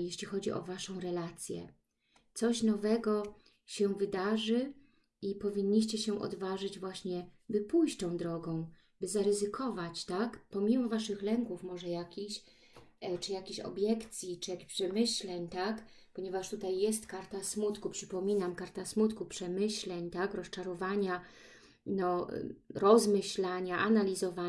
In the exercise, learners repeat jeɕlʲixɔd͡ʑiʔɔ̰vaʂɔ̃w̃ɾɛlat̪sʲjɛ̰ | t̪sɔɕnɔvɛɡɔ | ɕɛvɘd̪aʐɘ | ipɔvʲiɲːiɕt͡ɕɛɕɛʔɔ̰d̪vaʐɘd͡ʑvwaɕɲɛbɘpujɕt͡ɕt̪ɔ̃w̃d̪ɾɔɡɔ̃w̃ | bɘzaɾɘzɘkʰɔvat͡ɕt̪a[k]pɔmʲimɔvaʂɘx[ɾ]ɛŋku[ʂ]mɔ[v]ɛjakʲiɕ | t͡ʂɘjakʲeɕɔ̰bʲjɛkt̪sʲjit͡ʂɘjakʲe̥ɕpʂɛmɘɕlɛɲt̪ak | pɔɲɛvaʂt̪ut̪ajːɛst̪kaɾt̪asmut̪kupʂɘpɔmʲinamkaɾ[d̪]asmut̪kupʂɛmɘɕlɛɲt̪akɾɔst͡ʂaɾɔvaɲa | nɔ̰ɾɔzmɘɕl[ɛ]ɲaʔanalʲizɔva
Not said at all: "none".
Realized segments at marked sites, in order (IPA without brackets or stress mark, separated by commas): k, l, f, ʐ, t̪, a